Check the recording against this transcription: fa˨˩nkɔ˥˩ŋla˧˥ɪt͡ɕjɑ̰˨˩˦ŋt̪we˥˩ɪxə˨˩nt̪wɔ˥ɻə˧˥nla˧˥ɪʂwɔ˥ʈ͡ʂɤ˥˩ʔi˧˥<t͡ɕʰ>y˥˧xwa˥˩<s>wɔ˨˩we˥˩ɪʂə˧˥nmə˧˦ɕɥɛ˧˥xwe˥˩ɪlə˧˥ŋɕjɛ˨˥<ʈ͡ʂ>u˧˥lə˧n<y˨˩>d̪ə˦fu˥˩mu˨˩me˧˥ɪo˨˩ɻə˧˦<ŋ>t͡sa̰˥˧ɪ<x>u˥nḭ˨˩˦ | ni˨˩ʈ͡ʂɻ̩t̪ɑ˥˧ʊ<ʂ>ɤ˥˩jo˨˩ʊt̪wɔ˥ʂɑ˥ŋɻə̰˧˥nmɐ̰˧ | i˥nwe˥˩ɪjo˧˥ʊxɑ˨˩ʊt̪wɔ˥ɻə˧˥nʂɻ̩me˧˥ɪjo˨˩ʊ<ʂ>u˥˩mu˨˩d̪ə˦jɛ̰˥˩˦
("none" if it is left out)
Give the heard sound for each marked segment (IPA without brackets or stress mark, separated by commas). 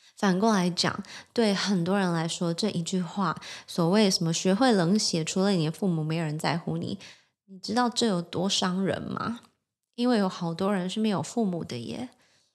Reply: t͡ɕ, s, ʈ͡ʂʰ, i˨˩, n, x, ʈ͡ʂ, f